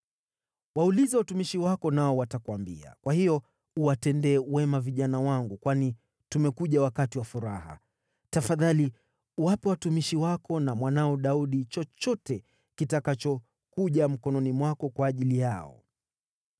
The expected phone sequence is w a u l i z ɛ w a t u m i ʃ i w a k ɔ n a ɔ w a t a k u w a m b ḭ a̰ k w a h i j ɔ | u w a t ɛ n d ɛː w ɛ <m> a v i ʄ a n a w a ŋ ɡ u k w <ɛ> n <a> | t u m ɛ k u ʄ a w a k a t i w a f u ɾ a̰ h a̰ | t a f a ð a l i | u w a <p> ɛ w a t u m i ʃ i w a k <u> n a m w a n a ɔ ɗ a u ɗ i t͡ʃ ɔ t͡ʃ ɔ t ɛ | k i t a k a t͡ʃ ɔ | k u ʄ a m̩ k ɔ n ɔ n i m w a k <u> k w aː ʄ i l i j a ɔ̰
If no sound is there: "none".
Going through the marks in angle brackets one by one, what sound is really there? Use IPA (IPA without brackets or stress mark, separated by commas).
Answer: m, a, i, p, ɔ, ɔ